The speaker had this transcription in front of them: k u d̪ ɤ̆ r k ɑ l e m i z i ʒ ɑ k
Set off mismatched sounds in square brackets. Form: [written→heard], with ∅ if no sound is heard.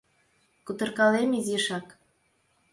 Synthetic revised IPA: k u [d̪→t̪] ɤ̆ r k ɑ l e m i z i [ʒ→ʃ] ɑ k